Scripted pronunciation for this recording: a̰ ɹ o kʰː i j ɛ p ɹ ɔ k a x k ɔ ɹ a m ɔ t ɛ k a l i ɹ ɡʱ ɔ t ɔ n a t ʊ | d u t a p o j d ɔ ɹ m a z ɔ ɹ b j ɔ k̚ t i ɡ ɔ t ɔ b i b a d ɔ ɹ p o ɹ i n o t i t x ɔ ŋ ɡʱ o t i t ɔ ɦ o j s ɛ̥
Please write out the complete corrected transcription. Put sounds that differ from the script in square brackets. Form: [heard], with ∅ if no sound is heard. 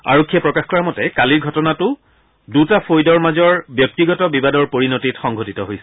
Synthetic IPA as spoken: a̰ ɹ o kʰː i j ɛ p ɹ ɔ k a x k ɔ ɹ a m ɔ t ɛ k a l i ɹ ɡʱ ɔ t ɔ n a t ʊ | d u t a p o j d ɔ ɹ m a z ɔ ɹ b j ɔ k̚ t i ɡ ɔ t ɔ b i b a d ɔ ɹ p o ɹ i n o t i t x ɔ ŋ ɡʱ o t i t ɔ ɦ o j s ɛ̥